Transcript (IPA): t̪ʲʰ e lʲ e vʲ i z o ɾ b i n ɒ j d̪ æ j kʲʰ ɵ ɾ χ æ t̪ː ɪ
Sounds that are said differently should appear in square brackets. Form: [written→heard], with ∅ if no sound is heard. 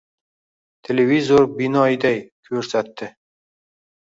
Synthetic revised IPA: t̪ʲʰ e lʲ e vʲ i z o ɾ b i n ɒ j d̪ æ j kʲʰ ɵ ɾ [χ→s] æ t̪ː ɪ